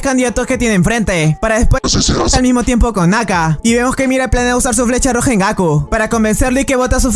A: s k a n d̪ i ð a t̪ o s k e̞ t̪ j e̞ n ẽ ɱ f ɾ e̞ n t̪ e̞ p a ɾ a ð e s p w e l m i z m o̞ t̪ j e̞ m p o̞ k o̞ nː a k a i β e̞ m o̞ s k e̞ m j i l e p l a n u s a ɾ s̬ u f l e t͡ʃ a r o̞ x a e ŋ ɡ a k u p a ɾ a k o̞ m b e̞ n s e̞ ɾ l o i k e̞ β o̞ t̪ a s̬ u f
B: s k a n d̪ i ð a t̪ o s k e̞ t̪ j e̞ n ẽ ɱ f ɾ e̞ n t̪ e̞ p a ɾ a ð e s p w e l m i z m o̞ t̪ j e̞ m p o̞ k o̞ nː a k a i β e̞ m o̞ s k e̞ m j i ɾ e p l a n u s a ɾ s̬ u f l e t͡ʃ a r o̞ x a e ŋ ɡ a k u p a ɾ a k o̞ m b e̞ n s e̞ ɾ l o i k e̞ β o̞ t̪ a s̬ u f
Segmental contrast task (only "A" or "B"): B